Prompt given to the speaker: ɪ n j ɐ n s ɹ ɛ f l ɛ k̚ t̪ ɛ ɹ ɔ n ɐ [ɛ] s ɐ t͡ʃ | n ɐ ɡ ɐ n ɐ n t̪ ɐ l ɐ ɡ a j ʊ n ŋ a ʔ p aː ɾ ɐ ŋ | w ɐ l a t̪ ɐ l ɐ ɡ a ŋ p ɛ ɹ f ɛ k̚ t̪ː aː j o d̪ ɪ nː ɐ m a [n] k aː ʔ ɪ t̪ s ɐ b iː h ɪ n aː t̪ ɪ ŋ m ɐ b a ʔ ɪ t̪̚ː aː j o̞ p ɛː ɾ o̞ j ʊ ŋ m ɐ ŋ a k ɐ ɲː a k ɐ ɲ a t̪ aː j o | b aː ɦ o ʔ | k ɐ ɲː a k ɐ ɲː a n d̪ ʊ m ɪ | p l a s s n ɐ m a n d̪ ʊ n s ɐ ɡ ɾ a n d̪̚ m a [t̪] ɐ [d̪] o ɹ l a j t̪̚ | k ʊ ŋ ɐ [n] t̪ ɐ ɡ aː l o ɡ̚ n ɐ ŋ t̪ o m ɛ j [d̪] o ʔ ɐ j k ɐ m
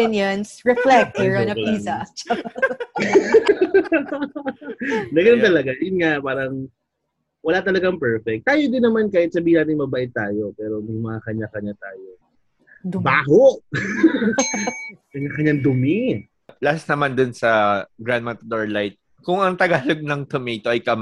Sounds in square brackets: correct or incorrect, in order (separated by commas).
incorrect, correct, correct, correct, incorrect, incorrect